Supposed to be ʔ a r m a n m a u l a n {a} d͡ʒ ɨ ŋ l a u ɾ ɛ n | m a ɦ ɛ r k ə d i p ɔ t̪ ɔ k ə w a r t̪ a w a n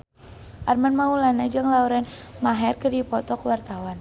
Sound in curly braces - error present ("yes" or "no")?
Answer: no